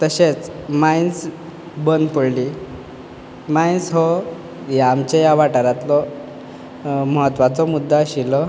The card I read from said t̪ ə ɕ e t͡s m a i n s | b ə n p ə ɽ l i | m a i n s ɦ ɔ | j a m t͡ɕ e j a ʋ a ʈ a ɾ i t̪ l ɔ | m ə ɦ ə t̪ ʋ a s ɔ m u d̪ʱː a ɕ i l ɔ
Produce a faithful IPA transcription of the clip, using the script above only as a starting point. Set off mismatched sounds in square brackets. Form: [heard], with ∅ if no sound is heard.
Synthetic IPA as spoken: t̪ ə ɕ e t͡s m a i n s | b ə n p ə ɽ l i | m a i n s ɦ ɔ | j a m t͡ɕ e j a ʋ a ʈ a ɾ [a] t̪ l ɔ | m ə ɦ ə t̪ ʋ a [t͡s] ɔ m u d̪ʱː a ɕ i l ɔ